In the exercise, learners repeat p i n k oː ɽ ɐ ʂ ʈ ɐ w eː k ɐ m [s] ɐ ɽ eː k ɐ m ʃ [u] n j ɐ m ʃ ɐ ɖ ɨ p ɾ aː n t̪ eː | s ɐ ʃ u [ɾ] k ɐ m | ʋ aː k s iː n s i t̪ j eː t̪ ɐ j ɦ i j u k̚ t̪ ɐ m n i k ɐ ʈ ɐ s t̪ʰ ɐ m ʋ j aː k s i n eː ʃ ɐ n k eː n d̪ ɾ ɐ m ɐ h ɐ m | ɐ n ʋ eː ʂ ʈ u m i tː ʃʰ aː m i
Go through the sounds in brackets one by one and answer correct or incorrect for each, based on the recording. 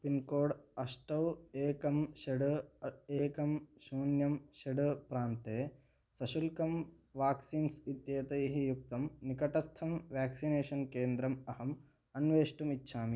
incorrect: ʃ, incorrect: uː, incorrect: l

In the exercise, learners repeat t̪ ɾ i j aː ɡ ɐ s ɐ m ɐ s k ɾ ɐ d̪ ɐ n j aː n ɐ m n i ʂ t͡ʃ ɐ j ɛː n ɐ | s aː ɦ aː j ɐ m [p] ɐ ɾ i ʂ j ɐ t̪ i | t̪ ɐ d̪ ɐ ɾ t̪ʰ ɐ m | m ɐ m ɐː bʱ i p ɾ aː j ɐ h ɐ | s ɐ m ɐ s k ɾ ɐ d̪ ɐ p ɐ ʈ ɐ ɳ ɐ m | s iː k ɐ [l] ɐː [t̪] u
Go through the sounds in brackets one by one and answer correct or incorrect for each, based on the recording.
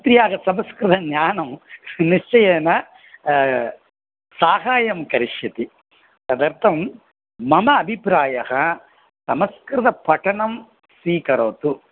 incorrect: k, incorrect: ɾ, correct

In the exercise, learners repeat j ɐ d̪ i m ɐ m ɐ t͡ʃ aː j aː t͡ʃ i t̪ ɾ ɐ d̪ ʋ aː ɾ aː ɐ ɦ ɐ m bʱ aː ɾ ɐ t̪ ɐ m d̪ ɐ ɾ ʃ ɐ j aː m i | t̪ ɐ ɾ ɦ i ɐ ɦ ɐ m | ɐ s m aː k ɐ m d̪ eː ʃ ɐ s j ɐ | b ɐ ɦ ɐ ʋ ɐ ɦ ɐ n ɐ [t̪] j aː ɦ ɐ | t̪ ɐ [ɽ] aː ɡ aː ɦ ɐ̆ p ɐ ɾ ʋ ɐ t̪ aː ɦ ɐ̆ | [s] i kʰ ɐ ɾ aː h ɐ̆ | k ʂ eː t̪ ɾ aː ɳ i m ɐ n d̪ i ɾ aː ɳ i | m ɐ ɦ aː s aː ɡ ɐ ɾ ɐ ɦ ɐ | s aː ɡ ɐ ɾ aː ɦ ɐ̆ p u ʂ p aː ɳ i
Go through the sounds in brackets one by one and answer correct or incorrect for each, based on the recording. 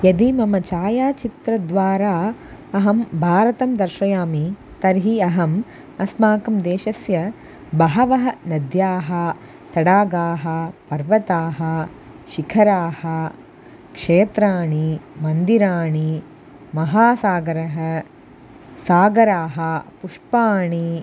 incorrect: d̪, correct, incorrect: ʃ

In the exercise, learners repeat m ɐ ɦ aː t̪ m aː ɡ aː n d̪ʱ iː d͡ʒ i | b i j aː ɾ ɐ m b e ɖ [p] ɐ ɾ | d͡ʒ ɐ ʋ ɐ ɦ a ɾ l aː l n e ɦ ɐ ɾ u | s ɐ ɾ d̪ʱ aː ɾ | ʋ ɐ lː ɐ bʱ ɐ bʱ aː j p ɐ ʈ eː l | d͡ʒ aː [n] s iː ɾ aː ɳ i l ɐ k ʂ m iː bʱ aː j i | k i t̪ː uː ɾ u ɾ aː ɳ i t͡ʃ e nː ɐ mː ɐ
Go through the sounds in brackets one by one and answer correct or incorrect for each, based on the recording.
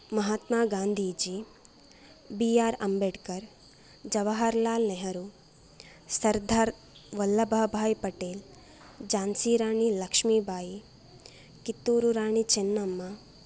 incorrect: k, correct

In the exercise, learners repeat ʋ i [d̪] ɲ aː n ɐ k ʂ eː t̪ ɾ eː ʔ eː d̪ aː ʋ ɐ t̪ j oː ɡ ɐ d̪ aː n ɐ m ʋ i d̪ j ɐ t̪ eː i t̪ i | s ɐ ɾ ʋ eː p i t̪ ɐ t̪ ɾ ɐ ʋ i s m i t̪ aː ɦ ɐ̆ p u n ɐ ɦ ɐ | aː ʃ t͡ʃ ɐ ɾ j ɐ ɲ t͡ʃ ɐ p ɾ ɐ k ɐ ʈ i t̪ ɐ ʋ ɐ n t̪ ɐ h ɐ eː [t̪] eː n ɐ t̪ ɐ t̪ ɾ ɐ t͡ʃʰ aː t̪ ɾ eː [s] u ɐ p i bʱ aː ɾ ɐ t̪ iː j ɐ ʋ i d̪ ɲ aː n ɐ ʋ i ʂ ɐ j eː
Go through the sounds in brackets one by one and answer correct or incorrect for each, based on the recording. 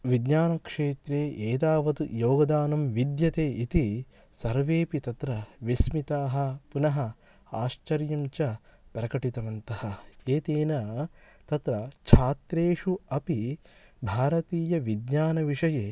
correct, correct, incorrect: ʂ

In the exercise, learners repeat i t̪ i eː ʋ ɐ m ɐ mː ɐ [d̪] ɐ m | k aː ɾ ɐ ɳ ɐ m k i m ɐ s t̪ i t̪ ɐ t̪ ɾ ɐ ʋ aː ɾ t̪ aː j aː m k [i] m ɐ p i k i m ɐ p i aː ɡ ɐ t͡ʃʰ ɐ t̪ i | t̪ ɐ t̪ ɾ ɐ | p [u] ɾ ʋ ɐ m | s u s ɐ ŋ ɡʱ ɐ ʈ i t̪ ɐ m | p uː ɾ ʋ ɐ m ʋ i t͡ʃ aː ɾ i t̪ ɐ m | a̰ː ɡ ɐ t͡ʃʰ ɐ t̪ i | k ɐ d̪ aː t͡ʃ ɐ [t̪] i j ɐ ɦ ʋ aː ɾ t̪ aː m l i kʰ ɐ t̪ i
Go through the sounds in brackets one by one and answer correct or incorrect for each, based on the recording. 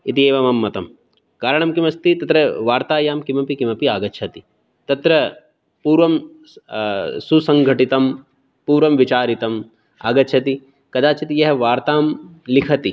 incorrect: t̪, correct, incorrect: uː, correct

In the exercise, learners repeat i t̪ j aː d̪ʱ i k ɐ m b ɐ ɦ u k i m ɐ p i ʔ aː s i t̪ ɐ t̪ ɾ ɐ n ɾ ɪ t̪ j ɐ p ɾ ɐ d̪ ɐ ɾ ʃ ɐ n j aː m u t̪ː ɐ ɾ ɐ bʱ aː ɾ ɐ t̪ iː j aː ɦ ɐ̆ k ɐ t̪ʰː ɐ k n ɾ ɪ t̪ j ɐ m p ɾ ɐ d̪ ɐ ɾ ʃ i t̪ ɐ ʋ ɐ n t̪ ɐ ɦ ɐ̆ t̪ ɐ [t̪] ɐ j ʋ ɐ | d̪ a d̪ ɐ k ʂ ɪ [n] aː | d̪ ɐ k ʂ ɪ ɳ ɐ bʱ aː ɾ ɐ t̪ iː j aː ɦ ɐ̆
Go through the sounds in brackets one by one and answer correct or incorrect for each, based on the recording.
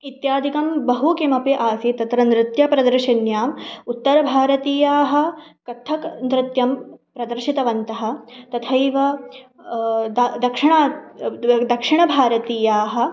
incorrect: t̪ʰ, incorrect: ɳ

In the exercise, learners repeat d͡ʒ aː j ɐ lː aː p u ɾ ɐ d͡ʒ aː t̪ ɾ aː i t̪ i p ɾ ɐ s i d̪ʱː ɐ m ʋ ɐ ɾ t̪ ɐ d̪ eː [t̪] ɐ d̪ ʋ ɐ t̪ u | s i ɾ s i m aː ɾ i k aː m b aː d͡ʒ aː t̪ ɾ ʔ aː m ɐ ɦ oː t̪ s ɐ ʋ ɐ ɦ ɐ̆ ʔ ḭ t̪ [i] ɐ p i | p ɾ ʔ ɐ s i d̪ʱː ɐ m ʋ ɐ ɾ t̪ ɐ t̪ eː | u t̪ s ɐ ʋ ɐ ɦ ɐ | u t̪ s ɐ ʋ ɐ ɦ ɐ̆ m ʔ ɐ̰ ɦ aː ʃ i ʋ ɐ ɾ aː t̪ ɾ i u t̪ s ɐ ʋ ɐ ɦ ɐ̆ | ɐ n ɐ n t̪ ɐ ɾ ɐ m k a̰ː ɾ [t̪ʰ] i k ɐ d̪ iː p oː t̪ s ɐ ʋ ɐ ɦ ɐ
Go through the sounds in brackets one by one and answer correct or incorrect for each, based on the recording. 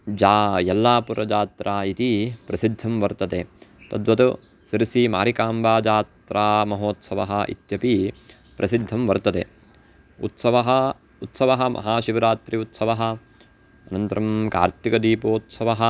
correct, incorrect: j, incorrect: t̪

